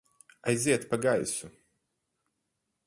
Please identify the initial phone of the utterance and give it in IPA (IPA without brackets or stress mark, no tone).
a